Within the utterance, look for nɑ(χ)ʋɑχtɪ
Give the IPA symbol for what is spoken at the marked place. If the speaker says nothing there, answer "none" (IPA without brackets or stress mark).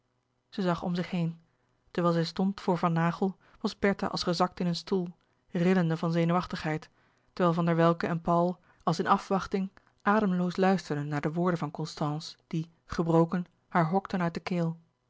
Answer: f